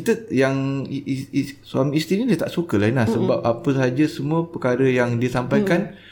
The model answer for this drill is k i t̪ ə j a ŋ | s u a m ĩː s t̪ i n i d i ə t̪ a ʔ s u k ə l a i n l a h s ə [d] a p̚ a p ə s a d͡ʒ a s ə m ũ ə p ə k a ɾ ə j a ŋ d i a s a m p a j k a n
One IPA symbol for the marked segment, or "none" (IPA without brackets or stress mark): b